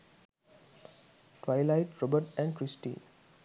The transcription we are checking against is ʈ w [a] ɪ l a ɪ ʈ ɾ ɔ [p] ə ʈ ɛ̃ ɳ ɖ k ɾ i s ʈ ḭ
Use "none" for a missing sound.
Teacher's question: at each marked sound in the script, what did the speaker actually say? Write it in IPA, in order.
a, b

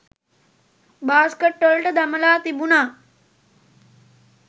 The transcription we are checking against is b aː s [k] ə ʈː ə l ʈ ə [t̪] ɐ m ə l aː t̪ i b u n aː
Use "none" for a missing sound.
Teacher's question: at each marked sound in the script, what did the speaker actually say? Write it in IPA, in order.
k, d̪

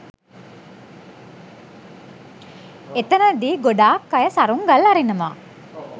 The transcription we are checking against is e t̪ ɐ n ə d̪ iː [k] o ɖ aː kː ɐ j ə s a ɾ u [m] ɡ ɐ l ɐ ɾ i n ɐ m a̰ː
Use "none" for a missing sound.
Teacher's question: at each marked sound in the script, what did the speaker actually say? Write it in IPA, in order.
ɡ, ŋ

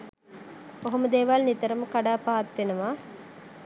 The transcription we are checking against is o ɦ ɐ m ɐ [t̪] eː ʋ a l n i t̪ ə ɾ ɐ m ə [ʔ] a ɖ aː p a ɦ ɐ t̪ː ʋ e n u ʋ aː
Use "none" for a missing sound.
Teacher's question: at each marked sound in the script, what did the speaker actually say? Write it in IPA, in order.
d̪, k

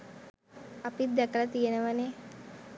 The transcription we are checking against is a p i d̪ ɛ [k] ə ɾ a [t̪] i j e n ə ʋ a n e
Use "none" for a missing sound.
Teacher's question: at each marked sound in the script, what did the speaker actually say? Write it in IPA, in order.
k, t̪

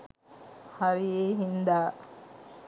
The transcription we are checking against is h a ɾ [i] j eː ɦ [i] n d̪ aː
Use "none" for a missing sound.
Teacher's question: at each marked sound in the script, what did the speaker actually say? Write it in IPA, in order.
i, i

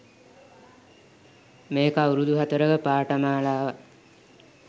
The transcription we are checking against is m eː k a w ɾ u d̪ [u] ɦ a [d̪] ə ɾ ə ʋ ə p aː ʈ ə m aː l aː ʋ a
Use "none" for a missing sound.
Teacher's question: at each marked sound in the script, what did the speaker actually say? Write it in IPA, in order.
u, t̪

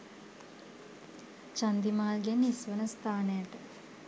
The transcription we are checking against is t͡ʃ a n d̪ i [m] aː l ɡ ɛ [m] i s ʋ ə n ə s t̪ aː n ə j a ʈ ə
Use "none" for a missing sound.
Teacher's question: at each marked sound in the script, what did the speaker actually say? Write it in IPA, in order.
m, n

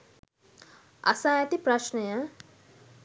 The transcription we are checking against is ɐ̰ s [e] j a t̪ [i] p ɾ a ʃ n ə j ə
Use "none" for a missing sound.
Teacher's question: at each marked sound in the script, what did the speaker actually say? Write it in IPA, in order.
a, i

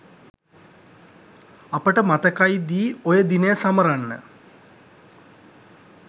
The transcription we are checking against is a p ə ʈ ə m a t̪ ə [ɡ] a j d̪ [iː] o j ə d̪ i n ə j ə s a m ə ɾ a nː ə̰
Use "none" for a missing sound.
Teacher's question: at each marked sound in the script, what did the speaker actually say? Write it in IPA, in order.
k, iː

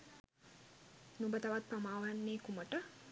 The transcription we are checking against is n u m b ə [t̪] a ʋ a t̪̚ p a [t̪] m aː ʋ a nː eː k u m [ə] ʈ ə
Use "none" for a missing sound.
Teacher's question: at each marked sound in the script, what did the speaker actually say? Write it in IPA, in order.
t̪, none, ə

